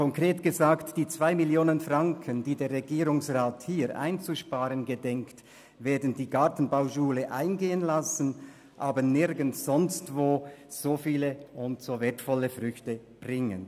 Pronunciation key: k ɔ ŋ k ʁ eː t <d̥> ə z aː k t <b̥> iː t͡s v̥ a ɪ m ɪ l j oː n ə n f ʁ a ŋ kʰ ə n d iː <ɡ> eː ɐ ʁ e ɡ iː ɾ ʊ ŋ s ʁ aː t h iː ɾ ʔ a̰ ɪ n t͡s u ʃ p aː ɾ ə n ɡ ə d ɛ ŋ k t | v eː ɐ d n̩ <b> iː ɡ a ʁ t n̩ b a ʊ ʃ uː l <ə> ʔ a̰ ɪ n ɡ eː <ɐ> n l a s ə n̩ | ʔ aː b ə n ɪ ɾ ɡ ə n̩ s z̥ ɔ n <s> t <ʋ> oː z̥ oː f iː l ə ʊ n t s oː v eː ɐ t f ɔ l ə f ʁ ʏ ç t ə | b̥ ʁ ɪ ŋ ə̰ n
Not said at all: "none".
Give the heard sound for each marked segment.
ɡ̥, d̥, d, d, ə, ə, s, v

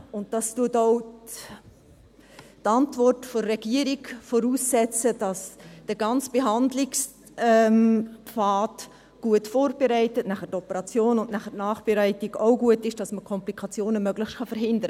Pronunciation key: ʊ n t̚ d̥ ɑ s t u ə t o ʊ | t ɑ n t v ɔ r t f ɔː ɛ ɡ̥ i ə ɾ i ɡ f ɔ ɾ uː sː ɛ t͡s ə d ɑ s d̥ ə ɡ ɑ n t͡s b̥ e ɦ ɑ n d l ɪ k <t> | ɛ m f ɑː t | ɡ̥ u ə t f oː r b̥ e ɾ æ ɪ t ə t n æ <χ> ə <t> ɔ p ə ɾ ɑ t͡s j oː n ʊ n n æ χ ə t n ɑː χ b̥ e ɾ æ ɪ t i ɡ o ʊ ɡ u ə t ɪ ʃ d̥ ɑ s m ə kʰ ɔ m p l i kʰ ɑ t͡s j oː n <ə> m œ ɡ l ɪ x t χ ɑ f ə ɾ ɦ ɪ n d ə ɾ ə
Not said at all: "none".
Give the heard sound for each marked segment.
s, χ, t, ə

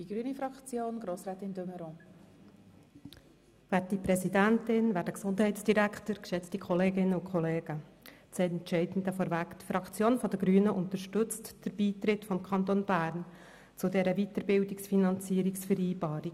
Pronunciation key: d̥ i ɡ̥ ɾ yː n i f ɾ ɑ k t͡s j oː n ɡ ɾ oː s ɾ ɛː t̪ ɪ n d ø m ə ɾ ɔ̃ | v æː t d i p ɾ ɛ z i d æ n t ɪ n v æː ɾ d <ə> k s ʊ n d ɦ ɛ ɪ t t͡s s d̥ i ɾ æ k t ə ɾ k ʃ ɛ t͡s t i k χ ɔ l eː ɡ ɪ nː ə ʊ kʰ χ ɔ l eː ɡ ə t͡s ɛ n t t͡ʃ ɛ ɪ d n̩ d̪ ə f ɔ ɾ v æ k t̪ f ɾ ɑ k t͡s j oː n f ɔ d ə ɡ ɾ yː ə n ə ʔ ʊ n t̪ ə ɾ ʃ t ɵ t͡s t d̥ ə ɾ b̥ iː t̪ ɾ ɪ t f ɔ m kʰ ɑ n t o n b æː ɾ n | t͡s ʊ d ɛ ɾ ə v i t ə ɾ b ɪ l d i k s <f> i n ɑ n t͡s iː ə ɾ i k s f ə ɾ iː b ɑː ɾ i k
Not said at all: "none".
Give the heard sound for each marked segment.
ə, f

